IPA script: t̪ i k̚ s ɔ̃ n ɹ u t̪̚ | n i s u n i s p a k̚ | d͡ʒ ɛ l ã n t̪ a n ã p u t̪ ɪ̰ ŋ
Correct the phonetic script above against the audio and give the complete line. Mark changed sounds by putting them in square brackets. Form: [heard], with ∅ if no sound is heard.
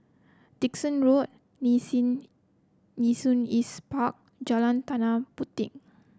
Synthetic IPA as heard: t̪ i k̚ s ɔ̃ n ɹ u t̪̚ | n i s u n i s p a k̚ | d͡ʒ [a] l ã n t̪ a n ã p u t̪ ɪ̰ ŋ